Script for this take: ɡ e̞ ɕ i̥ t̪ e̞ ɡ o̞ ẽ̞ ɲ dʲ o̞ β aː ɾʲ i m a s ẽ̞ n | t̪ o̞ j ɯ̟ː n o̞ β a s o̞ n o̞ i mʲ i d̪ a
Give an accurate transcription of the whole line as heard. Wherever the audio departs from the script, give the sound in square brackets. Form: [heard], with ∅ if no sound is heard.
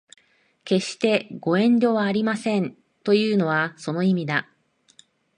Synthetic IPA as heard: [k] e̞ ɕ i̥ t̪ e̞ ɡ o̞ ẽ̞ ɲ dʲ o̞ β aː ɾʲ i m a s ẽ̞ n | t̪ o̞ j ɯ̟ː n o̞ β a s o̞ n o̞ i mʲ i d̪ a

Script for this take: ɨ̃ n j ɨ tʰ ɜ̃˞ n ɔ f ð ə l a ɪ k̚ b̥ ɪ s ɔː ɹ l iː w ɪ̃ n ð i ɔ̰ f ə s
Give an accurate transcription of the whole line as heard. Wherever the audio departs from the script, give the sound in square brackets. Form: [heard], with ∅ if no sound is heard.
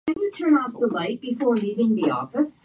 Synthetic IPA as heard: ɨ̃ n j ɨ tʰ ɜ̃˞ n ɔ f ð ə l a ɪ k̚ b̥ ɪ [f] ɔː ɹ l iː [v] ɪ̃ [ŋ] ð i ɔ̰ f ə s

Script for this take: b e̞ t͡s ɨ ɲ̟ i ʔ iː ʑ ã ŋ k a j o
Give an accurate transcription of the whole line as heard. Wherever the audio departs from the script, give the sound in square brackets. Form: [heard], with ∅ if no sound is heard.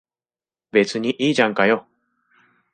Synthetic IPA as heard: b e̞ t͡s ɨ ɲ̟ i ʔ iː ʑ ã ŋ k a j o

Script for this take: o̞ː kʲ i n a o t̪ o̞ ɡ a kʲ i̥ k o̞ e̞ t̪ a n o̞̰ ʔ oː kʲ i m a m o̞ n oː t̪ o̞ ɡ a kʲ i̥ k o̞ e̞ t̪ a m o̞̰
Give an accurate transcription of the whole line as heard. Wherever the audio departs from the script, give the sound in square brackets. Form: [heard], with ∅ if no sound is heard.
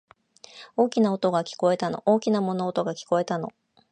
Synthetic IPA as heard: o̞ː kʲ i n a o t̪ o̞ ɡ a kʲ i̥ k o̞ e̞ t̪ a n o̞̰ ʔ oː kʲ i [n] a m o̞ n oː t̪ o̞ ɡ a kʲ i̥ k o̞ e̞ t̪ a [n] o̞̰

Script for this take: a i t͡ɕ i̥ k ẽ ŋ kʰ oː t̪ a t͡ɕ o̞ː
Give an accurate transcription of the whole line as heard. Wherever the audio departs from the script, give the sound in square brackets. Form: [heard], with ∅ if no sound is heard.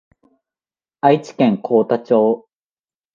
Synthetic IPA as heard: a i t͡ɕ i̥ k ẽ ŋ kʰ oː t̪ a t͡ɕ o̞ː

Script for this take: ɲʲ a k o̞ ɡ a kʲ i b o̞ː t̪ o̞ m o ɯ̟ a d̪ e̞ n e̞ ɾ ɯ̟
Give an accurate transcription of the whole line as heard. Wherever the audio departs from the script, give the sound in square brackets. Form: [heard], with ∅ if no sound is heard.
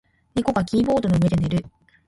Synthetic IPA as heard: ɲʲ [i] k o̞ ɡ a kʲ [iː] b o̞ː [d̪] o̞ [n] o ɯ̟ [e] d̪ e̞ n e̞ ɾ ɯ̟

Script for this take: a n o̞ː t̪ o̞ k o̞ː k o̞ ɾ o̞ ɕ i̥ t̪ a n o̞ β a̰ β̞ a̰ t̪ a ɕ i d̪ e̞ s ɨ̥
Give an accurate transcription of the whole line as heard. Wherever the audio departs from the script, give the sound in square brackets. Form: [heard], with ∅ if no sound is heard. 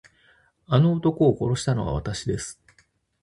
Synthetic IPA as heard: a n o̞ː t̪ o̞ k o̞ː k o̞ ɾ o̞ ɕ i̥ t̪ a n o̞ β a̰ β̞ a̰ t̪ a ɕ i d̪ e̞ s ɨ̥

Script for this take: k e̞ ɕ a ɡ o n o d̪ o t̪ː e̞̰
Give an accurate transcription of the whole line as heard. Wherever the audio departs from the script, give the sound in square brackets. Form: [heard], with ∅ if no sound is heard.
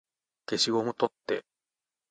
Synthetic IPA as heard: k e̞ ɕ [i] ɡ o [m] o [t̪] o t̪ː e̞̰

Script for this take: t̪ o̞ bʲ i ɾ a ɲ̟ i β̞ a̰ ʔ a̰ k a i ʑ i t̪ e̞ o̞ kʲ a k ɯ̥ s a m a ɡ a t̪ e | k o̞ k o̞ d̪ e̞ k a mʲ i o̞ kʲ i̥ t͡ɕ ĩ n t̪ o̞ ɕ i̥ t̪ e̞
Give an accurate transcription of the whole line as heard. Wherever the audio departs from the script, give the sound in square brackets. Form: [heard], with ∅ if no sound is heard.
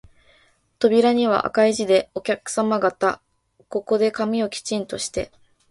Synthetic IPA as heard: t̪ o̞ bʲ i ɾ a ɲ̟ i β̞ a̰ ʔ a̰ k a i ʑ i [d̪] e̞ o̞ kʲ a k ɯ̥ s a m a ɡ a t̪ [a] | k o̞ k o̞ d̪ e̞ k a mʲ i o̞ kʲ i̥ t͡ɕ ĩ n t̪ o̞ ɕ i̥ t̪ e̞

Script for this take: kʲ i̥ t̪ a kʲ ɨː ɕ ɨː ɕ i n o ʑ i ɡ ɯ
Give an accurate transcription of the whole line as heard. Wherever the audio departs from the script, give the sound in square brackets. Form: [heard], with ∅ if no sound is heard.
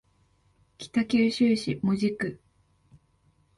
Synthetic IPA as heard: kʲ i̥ t̪ a kʲ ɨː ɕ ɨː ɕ i [m] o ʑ i [k] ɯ

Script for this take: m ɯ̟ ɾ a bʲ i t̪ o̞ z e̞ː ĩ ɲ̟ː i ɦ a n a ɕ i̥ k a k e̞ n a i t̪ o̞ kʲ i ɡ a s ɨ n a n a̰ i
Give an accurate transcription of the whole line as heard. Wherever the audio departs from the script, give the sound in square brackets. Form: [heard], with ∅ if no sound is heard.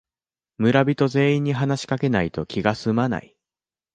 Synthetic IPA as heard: m ɯ̟ ɾ a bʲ i t̪ o̞ z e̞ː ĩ ɲ̟ː i ɦ a n a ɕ i̥ k a k e̞ n a i t̪ o̞ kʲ i ɡ a s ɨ [m] a n a̰ i

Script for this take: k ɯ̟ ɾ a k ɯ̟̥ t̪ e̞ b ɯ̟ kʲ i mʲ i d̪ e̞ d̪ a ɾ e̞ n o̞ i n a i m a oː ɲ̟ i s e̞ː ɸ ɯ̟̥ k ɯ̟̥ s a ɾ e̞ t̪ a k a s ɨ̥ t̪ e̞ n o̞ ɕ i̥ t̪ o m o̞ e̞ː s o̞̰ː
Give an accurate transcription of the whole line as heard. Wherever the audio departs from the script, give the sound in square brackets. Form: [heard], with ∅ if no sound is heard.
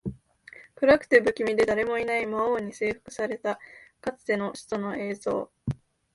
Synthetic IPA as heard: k ɯ̟ ɾ a k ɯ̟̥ t̪ e̞ b ɯ̟ kʲ i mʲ i d̪ e̞ d̪ a ɾ e̞ [m] o̞ i n a i m a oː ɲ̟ i s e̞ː ɸ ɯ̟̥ k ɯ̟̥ s a ɾ e̞ t̪ a k a [t͡s] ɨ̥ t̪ e̞ n o̞ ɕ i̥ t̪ o [n] o̞ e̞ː [z] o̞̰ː

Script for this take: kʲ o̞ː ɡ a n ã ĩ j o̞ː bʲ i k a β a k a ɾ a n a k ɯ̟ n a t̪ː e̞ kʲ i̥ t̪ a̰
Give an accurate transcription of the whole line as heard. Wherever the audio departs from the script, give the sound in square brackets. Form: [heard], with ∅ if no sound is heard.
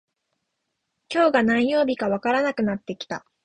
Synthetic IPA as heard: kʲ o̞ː ɡ a n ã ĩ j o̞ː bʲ i k a β a k a ɾ a n a k ɯ̟ n a t̪ː e̞ kʲ i̥ t̪ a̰

